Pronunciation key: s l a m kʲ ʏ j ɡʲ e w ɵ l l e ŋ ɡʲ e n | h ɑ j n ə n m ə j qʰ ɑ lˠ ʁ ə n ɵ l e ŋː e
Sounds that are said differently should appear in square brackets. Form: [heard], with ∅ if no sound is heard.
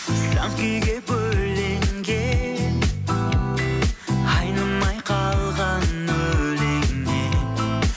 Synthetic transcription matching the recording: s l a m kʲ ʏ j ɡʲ e [b] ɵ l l e ŋ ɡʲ e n | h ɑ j n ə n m [ɑ] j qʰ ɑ lˠ ʁ [ɑ] n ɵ l e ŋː e